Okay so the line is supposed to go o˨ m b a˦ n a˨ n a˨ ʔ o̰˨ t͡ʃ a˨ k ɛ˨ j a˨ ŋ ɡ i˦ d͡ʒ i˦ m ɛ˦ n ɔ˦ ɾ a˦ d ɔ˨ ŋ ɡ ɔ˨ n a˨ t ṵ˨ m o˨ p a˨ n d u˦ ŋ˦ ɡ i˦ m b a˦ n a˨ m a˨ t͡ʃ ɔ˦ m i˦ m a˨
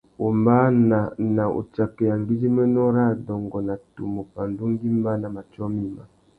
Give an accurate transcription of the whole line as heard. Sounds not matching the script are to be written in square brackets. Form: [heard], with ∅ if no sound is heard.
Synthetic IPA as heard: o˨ m b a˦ n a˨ n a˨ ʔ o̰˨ t͡ʃ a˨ k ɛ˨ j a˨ ŋ ɡ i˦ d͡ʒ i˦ m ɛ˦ n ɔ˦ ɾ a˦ d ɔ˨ ŋ ɡ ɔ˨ n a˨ t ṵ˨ m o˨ p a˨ n d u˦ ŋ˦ ɡ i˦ m b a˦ n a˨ m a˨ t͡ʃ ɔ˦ m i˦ m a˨